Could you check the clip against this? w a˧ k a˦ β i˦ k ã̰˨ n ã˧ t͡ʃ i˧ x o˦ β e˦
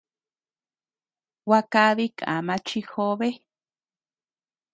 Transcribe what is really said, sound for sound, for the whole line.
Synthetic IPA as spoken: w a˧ k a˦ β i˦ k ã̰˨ m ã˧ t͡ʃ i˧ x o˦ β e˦